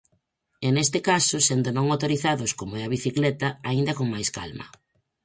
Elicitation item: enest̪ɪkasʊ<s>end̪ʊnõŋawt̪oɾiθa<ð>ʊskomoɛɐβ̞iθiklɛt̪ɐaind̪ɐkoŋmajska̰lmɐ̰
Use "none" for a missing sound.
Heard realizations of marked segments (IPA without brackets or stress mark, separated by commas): s, ð